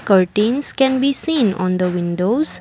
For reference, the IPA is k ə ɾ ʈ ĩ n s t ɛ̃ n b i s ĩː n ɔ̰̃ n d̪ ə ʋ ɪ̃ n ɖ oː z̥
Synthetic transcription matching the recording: k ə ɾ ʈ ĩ n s k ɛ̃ n b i s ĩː n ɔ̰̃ n d̪ ə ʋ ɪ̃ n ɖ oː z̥